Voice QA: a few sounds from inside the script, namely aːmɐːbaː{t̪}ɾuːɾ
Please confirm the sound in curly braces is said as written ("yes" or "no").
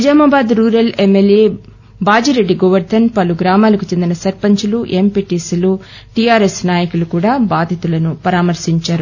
no